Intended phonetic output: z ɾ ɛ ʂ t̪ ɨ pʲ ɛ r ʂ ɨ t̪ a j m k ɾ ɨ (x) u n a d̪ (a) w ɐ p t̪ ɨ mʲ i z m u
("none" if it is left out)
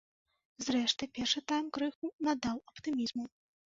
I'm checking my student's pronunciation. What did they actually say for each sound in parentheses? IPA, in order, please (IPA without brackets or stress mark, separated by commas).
x, a